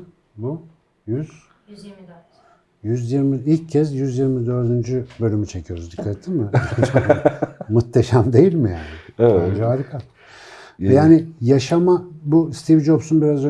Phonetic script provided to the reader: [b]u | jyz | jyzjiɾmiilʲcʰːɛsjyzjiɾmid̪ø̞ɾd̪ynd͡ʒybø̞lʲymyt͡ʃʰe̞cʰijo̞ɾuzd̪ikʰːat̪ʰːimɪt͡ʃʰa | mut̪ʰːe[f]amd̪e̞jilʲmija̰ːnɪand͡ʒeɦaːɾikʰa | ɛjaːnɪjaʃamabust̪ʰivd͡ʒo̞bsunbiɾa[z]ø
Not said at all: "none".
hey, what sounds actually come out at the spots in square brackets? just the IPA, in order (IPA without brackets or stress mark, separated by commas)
b, ʃ, z